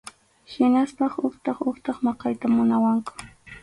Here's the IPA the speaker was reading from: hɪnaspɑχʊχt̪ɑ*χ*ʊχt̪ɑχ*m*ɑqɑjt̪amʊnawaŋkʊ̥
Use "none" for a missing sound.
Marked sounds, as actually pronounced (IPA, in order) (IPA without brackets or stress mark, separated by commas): χ, m